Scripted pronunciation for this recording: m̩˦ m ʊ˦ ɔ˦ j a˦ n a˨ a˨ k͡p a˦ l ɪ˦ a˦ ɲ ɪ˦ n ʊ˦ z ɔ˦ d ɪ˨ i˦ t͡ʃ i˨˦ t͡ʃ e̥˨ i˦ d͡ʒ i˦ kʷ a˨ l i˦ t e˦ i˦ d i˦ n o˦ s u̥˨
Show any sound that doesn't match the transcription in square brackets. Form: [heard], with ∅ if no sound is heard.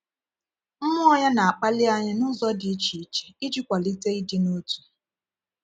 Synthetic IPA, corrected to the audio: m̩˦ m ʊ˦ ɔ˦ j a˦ n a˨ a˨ k͡p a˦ l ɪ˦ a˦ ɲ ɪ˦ n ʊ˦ z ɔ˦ d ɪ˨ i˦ t͡ʃ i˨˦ t͡ʃ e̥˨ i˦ d͡ʒ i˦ kʷ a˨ l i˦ t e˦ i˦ d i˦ n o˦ [t] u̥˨